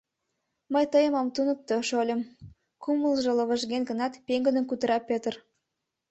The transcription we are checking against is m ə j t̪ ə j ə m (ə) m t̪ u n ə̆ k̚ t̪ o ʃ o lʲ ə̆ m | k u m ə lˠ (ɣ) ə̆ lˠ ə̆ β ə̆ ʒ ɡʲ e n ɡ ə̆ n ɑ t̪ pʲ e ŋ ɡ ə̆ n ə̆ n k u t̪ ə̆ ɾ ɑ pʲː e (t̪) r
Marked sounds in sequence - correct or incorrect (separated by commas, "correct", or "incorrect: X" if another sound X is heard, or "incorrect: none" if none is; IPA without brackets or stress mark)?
incorrect: ɑ, incorrect: ʒ, correct